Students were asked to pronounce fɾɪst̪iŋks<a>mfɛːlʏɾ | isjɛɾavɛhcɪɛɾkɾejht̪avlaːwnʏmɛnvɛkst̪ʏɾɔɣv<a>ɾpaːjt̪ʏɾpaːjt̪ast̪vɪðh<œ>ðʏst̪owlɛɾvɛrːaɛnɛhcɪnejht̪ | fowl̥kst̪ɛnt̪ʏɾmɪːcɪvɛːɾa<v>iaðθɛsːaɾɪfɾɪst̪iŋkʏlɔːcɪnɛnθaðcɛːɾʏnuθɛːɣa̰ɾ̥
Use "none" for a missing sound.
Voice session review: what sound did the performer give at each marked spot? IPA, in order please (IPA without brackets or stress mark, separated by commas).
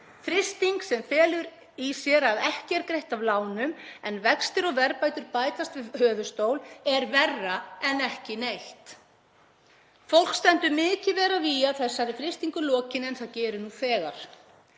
ɛ, ɛ, œː, v